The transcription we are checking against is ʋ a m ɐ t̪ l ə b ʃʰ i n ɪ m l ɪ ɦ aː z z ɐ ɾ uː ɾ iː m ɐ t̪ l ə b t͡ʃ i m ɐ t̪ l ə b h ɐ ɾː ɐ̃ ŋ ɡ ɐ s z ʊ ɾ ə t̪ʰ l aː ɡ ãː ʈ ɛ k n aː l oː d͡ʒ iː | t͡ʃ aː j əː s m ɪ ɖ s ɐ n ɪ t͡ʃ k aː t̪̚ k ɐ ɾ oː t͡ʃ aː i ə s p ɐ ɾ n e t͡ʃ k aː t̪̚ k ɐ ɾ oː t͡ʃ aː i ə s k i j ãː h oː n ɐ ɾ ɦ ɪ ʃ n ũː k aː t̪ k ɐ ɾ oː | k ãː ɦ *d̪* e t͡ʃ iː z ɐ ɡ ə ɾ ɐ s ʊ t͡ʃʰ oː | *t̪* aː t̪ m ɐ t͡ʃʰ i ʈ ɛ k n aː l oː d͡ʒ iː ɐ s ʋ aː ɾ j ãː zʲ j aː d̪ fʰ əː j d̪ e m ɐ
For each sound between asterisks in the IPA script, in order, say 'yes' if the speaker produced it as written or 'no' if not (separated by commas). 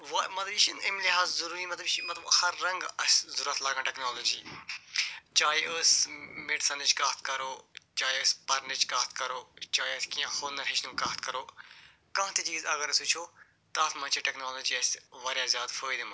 no, yes